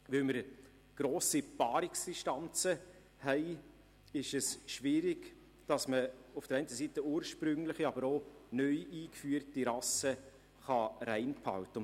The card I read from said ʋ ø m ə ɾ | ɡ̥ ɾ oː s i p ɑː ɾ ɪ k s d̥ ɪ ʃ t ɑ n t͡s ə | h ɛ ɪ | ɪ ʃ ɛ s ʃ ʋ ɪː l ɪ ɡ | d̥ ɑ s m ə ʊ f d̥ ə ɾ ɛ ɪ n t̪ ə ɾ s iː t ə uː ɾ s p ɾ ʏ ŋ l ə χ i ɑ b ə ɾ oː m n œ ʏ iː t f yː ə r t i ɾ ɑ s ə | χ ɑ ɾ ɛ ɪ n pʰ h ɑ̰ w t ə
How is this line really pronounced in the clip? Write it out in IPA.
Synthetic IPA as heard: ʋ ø m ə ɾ | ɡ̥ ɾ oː s i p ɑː ɾ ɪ k s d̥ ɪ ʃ t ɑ n t͡s ə | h ɛ ɪ | ɪ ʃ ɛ s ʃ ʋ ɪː ɾ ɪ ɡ | d̥ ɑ s m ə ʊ f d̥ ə ɾ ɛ ɪ n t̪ ə s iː t ə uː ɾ ʃ p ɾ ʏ ŋ l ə χ i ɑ b ə ɾ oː n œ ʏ iː k f yː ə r t i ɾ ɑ s ə | χ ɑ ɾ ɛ ɪ n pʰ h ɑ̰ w t ə